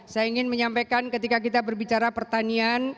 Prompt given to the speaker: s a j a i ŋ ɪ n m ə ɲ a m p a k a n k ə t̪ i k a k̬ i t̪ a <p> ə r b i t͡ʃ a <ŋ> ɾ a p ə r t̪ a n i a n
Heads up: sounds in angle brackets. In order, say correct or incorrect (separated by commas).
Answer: incorrect, incorrect